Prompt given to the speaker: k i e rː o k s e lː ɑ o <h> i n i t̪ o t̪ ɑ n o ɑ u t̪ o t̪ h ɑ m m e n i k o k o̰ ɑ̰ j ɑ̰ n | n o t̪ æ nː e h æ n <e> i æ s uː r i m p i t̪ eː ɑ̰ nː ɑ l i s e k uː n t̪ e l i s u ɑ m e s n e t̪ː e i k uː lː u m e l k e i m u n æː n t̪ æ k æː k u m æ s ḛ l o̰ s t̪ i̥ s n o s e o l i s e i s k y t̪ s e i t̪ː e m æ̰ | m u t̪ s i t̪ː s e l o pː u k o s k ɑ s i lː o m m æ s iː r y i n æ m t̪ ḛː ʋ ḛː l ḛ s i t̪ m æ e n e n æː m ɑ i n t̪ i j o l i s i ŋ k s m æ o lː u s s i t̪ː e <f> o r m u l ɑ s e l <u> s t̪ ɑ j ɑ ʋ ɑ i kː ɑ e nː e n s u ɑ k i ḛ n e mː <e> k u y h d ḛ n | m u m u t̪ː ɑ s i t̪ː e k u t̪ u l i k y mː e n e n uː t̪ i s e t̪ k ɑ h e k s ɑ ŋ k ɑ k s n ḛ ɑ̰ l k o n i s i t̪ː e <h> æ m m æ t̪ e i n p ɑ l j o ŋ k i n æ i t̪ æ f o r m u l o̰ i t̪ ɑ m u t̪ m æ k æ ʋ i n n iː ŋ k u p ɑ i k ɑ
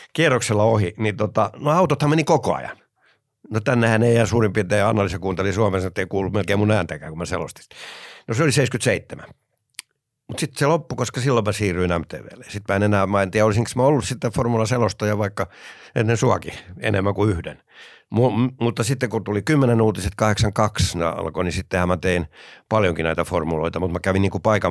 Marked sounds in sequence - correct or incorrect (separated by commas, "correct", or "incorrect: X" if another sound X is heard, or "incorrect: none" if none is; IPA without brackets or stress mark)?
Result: correct, correct, correct, incorrect: o, incorrect: æ, correct